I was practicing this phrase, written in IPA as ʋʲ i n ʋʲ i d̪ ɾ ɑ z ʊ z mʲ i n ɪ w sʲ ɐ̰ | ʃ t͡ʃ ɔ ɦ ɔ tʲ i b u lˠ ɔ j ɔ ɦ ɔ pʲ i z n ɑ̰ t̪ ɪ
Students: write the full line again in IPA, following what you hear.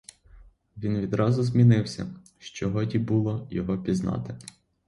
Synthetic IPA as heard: ʋʲ i n ʋʲ i d̪ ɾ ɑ z ʊ z mʲ i n ɪ w sʲ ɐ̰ | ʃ t͡ʃ ɔ ɦ ɔ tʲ i b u lˠ ɔ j ɔ ɦ ɔ pʲ i z n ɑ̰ t̪ ɪ